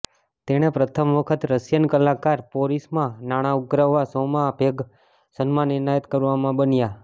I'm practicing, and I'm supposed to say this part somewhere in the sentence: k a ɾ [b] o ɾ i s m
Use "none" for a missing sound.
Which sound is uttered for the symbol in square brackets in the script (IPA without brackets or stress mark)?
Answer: p